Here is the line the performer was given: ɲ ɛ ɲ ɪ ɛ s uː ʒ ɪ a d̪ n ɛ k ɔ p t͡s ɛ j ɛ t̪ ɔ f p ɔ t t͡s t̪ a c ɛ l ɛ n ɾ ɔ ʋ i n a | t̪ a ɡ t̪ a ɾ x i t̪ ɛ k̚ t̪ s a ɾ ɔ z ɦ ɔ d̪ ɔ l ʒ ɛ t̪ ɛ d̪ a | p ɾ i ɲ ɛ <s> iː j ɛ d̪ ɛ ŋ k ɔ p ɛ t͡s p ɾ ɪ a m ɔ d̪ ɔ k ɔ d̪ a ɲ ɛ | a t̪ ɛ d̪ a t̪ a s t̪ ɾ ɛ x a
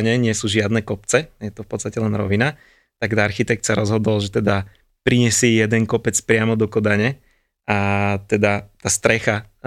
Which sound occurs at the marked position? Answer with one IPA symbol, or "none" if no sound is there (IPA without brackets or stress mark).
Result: s